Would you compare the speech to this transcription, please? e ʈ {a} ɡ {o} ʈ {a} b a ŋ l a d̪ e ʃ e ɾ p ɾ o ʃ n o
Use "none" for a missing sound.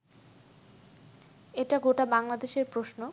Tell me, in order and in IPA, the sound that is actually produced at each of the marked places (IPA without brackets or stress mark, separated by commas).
a, o, a